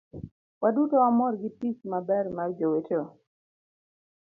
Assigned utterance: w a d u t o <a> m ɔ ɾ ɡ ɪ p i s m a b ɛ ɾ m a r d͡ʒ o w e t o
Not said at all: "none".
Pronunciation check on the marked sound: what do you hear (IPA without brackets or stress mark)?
a